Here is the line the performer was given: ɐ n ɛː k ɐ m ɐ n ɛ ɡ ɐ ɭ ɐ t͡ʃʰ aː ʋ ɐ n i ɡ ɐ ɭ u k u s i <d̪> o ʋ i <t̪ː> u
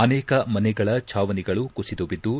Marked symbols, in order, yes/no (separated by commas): yes, no